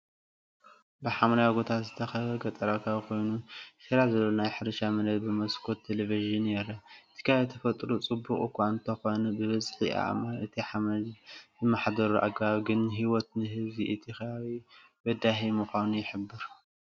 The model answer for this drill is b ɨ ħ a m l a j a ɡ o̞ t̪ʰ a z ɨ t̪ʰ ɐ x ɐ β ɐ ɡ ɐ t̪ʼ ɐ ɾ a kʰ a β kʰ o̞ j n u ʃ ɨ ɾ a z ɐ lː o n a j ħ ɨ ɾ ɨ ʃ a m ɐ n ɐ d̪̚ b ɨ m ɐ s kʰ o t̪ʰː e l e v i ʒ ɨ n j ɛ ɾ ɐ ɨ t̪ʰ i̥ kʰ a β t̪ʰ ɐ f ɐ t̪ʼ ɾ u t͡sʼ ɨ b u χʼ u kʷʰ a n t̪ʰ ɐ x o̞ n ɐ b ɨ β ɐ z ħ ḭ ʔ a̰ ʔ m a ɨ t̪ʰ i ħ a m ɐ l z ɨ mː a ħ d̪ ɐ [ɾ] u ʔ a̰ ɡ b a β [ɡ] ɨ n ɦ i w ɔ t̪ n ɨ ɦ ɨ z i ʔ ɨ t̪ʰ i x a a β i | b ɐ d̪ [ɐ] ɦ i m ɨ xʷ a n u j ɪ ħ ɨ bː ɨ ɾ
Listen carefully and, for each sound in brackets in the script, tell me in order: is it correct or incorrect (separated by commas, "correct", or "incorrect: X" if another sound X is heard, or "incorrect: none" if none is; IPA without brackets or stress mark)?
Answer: correct, correct, incorrect: a